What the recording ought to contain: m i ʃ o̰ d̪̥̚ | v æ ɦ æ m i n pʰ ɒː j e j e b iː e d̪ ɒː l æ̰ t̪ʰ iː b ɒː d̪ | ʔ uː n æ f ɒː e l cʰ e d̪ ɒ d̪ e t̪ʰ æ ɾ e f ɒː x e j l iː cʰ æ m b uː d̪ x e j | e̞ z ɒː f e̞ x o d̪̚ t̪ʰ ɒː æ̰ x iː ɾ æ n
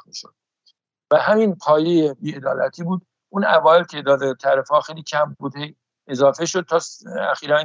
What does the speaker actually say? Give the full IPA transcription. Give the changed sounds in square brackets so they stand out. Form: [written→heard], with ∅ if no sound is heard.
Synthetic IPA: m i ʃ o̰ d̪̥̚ | v æ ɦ æ m i n pʰ ɒː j e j e b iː e d̪ ɒː l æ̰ t̪ʰ iː b [ɒː→uː] d̪ | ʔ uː n æ [f→v] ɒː e l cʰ e d̪ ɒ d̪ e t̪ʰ æ ɾ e f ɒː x e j l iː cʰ æ m b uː d̪ [x→h] e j | e̞ z ɒː f e̞ [x→ʃ] o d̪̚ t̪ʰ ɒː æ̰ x iː ɾ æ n